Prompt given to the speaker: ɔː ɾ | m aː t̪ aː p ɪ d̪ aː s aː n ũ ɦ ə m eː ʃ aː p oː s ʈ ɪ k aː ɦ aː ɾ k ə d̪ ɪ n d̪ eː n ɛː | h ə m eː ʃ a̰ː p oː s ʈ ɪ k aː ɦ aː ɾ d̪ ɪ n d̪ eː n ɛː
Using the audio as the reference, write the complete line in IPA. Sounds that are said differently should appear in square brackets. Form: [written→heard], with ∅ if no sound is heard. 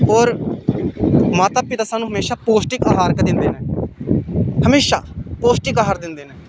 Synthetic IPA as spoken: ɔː ɾ | m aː t̪ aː p ɪ [d̪→t̪] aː s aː n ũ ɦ ə m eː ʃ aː p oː s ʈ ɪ k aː ɦ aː ɾ k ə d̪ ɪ n d̪ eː n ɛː | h ə m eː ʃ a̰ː p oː s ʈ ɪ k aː ɦ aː ɾ d̪ ɪ n d̪ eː n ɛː